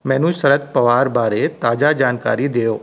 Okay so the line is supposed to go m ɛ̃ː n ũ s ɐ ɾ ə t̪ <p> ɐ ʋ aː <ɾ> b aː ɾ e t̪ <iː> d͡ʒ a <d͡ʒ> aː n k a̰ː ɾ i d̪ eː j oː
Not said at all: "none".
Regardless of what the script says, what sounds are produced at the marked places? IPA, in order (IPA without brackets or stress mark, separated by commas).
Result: p, ɾ, aː, d͡ʒ